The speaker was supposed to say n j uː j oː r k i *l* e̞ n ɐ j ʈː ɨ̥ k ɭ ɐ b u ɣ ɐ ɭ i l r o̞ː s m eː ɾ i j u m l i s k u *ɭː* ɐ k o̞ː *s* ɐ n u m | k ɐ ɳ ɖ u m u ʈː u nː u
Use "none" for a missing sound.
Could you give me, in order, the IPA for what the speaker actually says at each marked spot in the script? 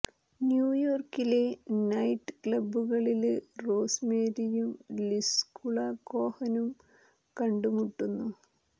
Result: l, ɭ, h

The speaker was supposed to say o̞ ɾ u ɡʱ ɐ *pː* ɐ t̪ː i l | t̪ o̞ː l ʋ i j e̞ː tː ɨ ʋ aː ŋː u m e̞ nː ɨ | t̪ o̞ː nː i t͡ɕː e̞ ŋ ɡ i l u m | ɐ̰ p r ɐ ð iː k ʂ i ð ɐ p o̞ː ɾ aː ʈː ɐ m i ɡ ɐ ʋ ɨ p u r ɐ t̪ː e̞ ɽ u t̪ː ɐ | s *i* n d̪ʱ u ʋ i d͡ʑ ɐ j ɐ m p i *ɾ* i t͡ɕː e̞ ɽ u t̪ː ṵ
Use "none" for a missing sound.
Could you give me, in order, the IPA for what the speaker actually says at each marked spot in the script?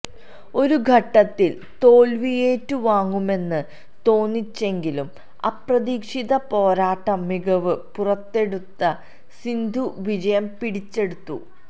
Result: ʈː, i, ɽ

